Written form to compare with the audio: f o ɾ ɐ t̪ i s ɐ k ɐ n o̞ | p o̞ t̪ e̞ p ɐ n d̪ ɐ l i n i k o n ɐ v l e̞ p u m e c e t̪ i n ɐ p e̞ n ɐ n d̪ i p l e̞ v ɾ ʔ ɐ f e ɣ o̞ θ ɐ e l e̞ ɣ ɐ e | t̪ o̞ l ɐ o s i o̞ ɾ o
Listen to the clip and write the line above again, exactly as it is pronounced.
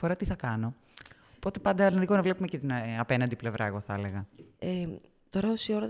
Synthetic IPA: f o ɾ ɐ t̪ i θ ɐ k ɐ n o̞ | p o̞ t̪ e̞ p ɐ n d̪ ɐ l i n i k o n ɐ v l e̞ p u m e c e t̪ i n ɐ p e̞ n ɐ n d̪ i p l e̞ v ɾ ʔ ɐ e ɣ o̞ θ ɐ e l e̞ ɣ ɐ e | t̪ o̞ ɾ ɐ o s i o̞ ɾ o